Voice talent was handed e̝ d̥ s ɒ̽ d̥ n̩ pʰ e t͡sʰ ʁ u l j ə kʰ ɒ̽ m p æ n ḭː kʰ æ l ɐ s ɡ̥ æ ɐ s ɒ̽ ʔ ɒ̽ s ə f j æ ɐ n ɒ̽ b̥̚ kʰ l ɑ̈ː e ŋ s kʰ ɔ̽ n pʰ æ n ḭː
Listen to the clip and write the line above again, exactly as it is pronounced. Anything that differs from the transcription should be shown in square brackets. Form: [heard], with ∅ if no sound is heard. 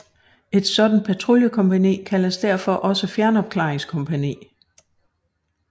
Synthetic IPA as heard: e̝ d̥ s ɒ̽ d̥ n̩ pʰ [æ] t͡sʰ ʁ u l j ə kʰ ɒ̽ m p æ n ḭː kʰ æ l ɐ s [d̥] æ ɐ [f] ɒ̽ ʔ ɒ̽ s ə f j æ ɐ n ɒ̽ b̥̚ kʰ l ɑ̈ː e ŋ s kʰ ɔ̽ [m] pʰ æ n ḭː

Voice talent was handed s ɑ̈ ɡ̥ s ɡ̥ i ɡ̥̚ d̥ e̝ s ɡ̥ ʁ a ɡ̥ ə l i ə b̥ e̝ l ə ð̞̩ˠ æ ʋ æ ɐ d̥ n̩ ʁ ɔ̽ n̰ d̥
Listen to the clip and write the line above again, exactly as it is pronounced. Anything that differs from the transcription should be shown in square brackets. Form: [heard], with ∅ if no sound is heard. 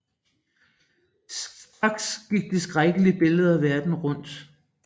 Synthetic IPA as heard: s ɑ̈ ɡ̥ s ɡ̥ i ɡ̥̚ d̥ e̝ s ɡ̥ ʁ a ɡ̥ ə l i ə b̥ e̝ l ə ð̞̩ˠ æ ʋ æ ɐ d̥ n̩ ʁ ɔ̽ n̰ d̥

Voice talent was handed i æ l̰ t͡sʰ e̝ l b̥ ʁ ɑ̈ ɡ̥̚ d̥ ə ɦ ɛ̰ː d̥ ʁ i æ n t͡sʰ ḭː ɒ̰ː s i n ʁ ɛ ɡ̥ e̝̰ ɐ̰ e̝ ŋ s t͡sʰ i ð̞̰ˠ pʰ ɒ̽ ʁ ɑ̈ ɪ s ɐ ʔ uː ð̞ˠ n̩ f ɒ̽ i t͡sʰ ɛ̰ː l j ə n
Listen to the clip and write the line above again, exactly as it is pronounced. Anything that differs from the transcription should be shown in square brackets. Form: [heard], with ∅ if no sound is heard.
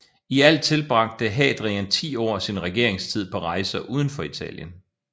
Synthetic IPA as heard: i æ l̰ t͡sʰ e̝ l b̥ ʁ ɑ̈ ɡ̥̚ d̥ ə ɦ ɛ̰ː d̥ ʁ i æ n t͡sʰ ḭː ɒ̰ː s i n ʁ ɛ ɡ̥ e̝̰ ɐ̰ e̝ ŋ s t͡sʰ i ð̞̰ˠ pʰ ɒ̽ ʁ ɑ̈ ɪ s ɐ ʔ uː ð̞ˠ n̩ f ɒ̽ i t͡sʰ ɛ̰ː l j ə n

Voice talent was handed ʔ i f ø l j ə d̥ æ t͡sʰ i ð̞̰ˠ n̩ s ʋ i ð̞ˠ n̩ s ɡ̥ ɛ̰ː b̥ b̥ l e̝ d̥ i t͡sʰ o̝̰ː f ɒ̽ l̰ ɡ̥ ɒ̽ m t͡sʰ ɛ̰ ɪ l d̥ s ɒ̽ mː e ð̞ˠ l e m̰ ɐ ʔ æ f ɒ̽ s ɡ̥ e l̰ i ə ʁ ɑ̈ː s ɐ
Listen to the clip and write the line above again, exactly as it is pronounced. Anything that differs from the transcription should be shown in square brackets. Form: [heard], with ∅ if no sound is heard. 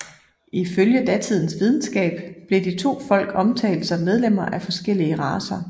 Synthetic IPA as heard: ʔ i f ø l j ə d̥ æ t͡sʰ i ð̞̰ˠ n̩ s ʋ i ð̞ˠ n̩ s ɡ̥ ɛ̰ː b̥ b̥ l e̝ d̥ i t͡sʰ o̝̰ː f ɒ̽ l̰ ɡ̥ ɒ̽ m t͡sʰ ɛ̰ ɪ l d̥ s ɒ̽ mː e ð̞ˠ l e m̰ ɐ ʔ æ f ɒ̽ s ɡ̥ e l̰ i ə ʁ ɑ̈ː s ɐ

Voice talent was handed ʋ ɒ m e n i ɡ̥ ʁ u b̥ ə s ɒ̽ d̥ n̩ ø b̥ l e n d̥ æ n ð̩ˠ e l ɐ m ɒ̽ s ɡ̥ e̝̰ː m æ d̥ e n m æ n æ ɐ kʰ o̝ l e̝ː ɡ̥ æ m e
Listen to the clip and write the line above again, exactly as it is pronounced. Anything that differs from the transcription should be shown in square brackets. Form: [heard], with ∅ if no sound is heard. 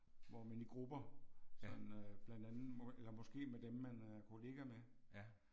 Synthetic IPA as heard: ʋ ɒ m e n i ɡ̥ ʁ u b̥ [ɐ] s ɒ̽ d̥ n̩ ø b̥ l [æ] n d̥ æ n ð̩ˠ e l ɐ m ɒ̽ s ɡ̥ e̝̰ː m [e] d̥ e [m] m æ n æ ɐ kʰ o̝ l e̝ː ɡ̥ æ m e

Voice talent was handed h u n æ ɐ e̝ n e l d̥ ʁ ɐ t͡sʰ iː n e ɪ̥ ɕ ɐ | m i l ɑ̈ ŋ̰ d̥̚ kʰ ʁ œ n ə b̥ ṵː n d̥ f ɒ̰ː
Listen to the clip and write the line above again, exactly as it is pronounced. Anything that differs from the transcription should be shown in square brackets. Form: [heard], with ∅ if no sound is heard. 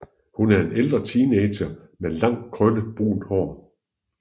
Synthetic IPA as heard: h u n æ ɐ e̝ n e l d̥ ʁ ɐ t͡sʰ iː n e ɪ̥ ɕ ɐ | m [e] l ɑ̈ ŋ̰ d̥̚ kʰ ʁ œ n ə b̥ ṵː n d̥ [h] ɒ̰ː

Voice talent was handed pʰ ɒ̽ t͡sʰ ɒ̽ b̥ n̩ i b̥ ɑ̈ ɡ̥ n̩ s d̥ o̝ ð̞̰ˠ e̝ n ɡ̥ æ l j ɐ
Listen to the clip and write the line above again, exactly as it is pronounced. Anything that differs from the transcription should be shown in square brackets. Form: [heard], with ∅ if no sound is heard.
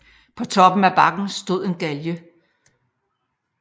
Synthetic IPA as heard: pʰ ɒ̽ t͡sʰ ɒ̽ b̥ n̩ [æ] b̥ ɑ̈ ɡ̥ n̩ s d̥ o̝ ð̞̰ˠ e̝ n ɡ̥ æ l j [ə]

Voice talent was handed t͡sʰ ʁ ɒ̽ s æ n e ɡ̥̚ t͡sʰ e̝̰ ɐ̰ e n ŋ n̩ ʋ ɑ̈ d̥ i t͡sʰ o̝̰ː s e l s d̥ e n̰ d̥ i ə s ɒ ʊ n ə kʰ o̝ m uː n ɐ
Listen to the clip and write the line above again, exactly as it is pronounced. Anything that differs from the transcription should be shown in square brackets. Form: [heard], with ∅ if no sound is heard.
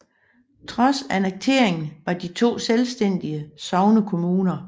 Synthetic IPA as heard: t͡sʰ ʁ ɒ̽ s æ n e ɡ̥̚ t͡sʰ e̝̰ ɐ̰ e [∅] ŋ n̩ ʋ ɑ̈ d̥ i t͡sʰ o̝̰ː s e l s d̥ e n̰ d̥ i ə s ɒ ʊ n ə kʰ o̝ m uː n ɐ

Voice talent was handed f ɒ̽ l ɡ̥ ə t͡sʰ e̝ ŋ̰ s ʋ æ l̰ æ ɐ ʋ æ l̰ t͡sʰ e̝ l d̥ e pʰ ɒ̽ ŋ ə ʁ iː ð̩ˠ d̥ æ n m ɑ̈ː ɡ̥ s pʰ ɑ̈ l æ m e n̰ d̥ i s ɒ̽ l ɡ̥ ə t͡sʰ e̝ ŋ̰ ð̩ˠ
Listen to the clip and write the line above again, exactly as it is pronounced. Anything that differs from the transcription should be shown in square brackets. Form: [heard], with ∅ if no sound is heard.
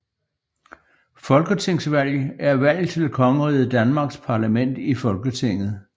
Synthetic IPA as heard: f ɒ̽ l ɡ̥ ə t͡sʰ e̝ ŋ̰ s ʋ æ l̰ æ ɐ ʋ æ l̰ t͡sʰ e̝ l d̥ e [kʰ] ɒ̽ ŋ ə ʁ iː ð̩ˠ d̥ æ n m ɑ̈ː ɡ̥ s pʰ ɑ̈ l æ m e n̰ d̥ i [f] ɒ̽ l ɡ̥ ə t͡sʰ e̝ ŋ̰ ð̩ˠ

